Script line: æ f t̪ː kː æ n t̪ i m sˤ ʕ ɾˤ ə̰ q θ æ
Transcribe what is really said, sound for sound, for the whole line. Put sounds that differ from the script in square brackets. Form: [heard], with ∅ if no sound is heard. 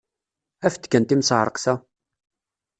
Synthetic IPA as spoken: æ f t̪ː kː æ n t̪ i m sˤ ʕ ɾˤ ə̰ q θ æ